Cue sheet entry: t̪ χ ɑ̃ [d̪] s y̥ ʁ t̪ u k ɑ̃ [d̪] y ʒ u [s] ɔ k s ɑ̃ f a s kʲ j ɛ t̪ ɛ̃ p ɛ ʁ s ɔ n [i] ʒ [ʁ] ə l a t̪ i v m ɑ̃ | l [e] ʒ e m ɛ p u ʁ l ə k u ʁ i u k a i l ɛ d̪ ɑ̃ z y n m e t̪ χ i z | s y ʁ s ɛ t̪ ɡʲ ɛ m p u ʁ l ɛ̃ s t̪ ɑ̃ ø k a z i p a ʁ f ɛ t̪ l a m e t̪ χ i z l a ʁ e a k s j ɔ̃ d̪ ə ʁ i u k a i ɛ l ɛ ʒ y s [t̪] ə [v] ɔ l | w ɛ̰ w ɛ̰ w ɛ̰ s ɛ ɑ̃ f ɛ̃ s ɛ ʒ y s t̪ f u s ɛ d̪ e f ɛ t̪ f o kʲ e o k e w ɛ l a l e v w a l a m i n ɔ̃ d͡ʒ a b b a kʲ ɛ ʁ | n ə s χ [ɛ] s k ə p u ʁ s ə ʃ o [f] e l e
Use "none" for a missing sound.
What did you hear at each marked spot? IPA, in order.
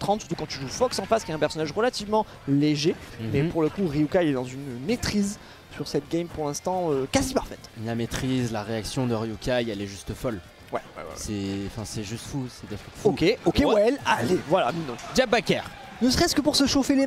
t̪, t̪, f, a, ʁ, e, t̪, f, ɛ, f

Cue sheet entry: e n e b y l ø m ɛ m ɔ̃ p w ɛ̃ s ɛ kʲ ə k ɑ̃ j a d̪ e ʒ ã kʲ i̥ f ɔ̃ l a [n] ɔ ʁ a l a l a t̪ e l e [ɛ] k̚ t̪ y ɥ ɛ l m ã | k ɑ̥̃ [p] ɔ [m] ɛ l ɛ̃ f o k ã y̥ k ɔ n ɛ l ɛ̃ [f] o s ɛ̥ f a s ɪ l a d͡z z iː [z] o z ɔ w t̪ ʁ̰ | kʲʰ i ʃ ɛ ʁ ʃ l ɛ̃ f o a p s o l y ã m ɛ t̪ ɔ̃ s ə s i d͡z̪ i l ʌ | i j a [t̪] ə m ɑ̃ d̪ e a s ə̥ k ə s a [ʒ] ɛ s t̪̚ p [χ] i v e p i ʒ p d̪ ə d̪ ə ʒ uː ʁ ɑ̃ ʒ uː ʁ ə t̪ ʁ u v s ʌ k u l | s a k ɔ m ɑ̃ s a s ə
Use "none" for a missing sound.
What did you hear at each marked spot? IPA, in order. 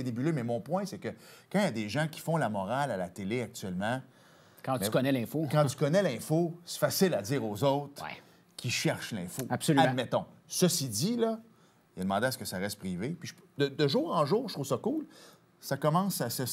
m, a, k, n, f, ʁ, d̪, ʁ, ʁ

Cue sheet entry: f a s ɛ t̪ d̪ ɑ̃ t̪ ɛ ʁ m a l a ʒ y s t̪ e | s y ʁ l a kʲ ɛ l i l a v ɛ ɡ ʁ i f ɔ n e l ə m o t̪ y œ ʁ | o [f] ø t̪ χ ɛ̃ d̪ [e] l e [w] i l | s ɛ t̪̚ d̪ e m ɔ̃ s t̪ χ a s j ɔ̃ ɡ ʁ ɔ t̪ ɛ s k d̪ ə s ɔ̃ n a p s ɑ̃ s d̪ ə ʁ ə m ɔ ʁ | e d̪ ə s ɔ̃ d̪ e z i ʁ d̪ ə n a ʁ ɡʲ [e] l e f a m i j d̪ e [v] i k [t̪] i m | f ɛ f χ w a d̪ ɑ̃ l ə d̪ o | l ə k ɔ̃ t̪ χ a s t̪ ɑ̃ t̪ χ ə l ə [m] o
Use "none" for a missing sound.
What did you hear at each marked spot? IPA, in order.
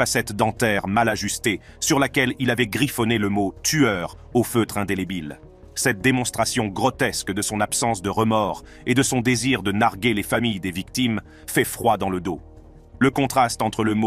f, e, b, e, v, t̪, m

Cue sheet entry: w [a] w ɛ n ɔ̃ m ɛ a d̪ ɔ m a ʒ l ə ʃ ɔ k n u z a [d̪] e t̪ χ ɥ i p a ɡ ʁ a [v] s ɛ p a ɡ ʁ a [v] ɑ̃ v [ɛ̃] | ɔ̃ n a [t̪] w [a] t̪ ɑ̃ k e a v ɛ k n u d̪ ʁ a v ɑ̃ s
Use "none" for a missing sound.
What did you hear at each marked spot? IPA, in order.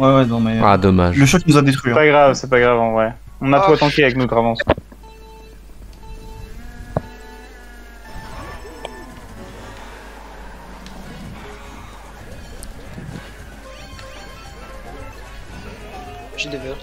ɛ, d̪, v, v, ɛ, t̪, a

